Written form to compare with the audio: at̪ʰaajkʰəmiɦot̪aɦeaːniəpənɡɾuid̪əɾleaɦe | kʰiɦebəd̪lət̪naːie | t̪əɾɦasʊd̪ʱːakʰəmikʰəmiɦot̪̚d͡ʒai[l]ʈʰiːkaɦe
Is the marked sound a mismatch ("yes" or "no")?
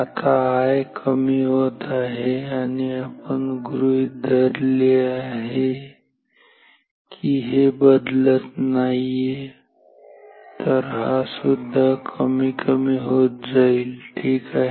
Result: no